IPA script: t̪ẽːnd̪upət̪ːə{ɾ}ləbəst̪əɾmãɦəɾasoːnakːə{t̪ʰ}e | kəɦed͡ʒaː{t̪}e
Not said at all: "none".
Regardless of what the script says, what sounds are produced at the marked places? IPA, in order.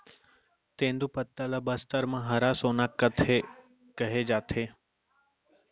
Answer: none, t̪ʰ, t̪ʰ

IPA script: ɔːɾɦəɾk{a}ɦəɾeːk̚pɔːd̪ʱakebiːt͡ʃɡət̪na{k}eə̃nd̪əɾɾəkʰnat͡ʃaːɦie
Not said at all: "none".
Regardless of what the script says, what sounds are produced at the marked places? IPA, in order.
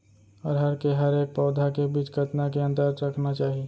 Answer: e, k

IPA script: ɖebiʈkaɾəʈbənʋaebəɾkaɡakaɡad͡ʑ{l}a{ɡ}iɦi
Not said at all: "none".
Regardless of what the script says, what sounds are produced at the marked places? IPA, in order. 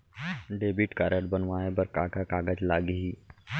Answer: l, ɡ

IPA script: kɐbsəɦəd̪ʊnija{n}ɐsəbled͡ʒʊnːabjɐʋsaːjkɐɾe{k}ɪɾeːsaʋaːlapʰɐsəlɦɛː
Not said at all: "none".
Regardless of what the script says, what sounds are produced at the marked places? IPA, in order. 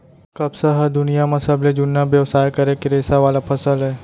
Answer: m, k

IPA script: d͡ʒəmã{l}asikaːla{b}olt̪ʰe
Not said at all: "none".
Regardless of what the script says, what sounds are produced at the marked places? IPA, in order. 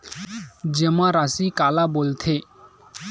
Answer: ɾ, b

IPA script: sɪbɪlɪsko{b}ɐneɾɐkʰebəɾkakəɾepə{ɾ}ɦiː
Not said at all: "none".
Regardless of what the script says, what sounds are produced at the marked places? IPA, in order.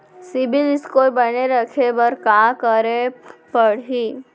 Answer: b, ɽ

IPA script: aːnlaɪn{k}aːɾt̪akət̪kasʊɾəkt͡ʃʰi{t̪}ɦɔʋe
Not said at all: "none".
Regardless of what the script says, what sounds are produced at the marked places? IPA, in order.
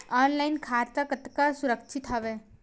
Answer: kʰ, t̪

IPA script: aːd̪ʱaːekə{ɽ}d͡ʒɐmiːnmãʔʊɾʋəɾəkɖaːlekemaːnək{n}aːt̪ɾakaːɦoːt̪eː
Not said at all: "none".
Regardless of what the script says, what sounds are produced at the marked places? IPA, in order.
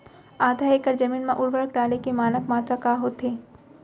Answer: ɾ, m

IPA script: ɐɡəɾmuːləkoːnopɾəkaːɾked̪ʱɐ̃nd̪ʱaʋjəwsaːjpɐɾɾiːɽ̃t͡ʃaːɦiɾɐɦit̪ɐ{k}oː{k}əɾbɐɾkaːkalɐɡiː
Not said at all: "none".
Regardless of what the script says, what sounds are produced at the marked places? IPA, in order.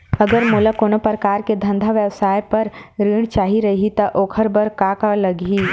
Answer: ʔ, kʰ

